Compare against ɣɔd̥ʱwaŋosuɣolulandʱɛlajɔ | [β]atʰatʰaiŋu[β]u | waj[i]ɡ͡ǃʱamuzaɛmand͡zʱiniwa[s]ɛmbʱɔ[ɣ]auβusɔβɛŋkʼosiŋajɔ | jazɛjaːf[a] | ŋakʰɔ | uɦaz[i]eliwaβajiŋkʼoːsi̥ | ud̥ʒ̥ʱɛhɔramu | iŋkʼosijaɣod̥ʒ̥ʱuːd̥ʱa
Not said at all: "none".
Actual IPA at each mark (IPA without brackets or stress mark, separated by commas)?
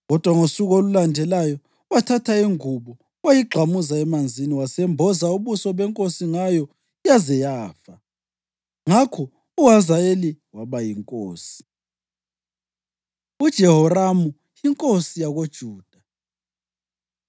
w, β, i, s, z, a, a